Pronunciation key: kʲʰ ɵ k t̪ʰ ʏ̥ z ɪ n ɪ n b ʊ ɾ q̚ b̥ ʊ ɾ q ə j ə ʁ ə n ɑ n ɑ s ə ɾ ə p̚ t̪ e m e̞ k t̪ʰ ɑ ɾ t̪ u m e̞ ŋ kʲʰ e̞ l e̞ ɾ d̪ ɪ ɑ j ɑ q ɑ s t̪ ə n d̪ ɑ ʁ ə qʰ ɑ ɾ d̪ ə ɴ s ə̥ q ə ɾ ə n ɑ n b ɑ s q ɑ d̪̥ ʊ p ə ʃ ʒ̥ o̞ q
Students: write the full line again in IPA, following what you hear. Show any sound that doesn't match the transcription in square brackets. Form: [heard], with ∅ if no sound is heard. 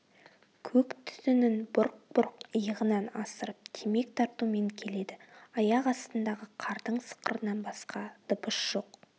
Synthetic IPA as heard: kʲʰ ɵ k t̪ʰ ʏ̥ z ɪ n ɪ n b ʊ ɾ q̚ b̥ ʊ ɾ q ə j ə ʁ ə n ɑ n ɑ s ə ɾ ə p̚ [t̪ʰ] e m e̞ k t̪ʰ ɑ ɾ t̪ u m e̞ ŋ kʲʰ e̞ l e̞ [∅] d̪ ɪ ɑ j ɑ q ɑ s t̪ ə n d̪ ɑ ʁ ə qʰ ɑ ɾ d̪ ə ɴ s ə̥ q ə ɾ ə n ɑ n b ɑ s q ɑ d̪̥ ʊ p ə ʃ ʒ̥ o̞ q